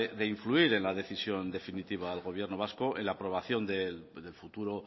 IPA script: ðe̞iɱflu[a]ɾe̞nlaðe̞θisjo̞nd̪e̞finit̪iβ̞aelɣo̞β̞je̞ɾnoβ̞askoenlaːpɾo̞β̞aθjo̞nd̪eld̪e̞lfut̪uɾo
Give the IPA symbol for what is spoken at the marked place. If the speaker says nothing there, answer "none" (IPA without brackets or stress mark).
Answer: i